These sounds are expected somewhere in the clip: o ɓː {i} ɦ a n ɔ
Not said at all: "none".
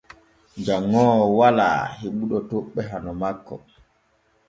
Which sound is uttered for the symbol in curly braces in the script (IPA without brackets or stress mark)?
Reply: ɛ